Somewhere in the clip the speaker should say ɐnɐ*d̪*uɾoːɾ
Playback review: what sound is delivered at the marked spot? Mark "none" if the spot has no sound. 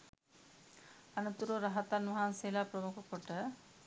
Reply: t̪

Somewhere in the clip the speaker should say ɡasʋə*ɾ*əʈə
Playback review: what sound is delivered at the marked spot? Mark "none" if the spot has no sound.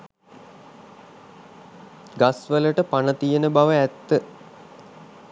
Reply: l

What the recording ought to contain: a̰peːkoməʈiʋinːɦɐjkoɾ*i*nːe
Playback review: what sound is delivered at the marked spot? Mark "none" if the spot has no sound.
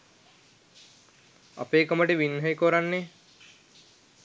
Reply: a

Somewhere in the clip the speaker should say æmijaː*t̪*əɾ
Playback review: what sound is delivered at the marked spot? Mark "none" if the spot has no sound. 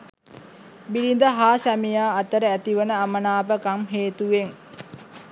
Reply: t̪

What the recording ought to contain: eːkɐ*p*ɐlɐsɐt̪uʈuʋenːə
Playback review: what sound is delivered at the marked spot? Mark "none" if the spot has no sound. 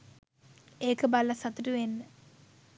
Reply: b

